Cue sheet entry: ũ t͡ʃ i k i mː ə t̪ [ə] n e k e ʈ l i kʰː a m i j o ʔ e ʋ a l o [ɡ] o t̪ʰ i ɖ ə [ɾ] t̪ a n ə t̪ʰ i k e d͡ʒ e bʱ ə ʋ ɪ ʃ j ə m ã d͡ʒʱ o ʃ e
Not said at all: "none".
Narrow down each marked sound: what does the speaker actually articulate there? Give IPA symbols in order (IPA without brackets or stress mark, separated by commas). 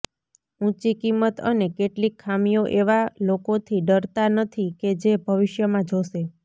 ə, k, ɾ